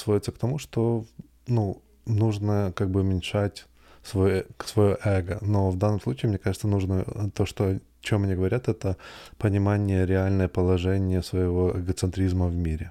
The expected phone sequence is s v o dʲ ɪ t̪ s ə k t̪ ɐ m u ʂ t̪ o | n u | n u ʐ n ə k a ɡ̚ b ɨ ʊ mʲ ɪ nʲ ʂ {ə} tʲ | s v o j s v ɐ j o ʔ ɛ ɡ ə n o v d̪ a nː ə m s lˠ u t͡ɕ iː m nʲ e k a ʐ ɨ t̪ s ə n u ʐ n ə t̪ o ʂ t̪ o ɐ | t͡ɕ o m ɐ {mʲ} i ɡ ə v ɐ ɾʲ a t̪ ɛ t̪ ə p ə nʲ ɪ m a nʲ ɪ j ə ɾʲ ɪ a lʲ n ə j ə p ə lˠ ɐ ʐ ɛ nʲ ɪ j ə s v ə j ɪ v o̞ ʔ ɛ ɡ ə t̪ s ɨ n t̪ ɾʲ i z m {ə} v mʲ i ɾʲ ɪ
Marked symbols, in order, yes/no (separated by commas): no, no, yes